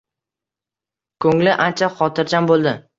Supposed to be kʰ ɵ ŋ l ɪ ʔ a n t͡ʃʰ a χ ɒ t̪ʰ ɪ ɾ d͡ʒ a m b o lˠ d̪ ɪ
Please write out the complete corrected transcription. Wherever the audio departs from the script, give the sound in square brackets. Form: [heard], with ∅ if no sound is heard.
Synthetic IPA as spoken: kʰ ɵ ŋ l ɪ ʔ a n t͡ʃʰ a χ ɒ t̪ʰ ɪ ɾ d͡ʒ a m b o lˠ d̪ ɪ